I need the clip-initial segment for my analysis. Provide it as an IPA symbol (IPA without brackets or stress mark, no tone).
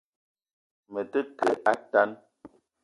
m